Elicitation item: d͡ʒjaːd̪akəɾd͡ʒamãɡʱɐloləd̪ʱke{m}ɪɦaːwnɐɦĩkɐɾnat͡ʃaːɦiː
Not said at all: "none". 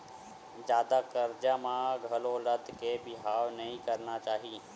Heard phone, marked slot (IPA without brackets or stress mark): b